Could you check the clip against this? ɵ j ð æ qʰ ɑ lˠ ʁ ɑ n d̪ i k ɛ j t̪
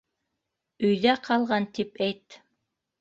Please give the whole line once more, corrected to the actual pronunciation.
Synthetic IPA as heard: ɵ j ð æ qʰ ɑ lˠ ʁ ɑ n t̪ i p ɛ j t̪